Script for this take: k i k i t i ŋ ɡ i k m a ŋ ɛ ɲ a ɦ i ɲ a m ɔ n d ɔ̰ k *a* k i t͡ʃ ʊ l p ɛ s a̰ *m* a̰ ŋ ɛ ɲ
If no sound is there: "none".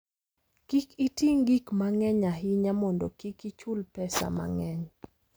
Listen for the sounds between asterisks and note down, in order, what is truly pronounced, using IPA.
i, m

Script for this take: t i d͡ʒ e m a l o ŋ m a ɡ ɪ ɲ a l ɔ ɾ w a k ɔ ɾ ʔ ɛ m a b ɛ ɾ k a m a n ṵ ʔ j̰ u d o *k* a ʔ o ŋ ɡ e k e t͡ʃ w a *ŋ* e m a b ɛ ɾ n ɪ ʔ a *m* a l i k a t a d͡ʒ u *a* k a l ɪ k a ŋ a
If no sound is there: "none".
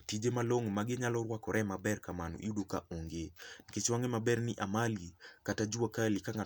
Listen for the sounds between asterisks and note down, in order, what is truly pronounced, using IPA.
k, ŋ, m, a

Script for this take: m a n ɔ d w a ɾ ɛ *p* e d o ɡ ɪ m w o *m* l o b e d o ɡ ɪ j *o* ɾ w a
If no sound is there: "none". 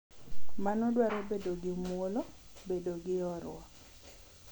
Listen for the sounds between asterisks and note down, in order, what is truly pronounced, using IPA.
b, none, ɔ

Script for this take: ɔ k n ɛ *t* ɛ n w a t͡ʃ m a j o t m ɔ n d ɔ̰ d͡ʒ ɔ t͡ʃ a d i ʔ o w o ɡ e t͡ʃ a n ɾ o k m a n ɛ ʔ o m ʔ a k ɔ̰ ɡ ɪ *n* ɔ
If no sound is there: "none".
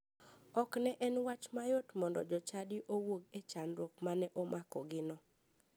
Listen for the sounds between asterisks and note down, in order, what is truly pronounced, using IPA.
ʔ, n

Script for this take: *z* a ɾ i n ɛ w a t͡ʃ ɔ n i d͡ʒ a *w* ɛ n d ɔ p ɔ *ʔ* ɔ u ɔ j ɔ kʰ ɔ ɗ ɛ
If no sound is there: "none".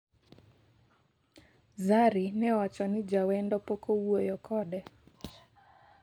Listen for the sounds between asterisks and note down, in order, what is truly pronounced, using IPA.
z, w, k

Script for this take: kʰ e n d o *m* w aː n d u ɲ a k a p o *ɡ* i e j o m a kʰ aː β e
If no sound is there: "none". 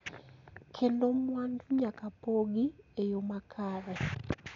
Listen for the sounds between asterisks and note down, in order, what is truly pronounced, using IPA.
m, ɡ

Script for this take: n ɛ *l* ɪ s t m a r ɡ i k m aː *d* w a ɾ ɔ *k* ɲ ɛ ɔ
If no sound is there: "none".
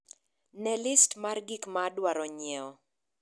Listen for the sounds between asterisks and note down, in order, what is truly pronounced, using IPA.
l, d, none

